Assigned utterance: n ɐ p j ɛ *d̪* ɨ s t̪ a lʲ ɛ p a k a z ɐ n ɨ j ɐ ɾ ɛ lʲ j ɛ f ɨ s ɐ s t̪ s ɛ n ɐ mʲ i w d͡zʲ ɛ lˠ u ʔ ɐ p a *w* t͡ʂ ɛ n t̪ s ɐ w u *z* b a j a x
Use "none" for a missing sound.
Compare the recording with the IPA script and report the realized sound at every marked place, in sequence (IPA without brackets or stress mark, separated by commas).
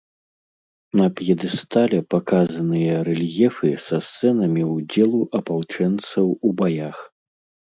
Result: d̪, w, none